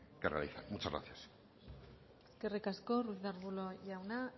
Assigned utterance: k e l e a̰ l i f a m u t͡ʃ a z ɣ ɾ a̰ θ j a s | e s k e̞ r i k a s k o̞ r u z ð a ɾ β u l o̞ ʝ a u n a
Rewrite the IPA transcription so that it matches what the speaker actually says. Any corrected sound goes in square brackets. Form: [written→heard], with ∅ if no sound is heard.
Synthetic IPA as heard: k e [l→r] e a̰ l i [f→θ] a m u t͡ʃ a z ɣ ɾ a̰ θ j a s | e s k e̞ r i k a s k o̞ r u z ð a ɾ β u l o̞ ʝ a [u→w] n a

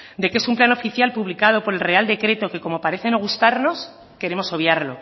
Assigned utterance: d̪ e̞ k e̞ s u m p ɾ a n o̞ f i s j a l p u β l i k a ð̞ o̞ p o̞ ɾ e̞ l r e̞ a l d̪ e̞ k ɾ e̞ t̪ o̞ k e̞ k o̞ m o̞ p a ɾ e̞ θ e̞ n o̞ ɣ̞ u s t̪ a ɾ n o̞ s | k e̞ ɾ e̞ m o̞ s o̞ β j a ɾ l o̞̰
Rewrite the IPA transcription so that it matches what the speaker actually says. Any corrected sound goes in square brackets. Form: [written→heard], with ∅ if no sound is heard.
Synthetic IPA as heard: d̪ e̞ k e̞ s u m p [ɾ→l] a n o̞ f i [s→θ] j a l p u β l i k a ð̞ o̞ p o̞ ɾ e̞ l r e̞ a l d̪ e̞ k ɾ e̞ t̪ o̞ k e̞ k o̞ m o̞ p a ɾ e̞ θ e̞ n o̞ ɣ̞ u s t̪ a ɾ n o̞ s | k e̞ ɾ e̞ m o̞ s o̞ β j a ɾ l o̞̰

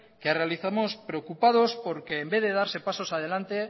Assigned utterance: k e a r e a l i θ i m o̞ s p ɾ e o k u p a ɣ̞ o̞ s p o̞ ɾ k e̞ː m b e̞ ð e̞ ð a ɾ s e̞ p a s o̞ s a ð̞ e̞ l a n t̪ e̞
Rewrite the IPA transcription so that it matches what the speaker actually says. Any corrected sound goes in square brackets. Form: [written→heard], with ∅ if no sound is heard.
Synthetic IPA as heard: k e a r e a l i θ [i→a] m o̞ s p ɾ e o k u p a [ɣ̞→ð̞] o̞ s p o̞ ɾ k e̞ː m b e̞ ð e̞ ð a ɾ s e̞ p a s o̞ s a ð̞ e̞ l a n t̪ e̞

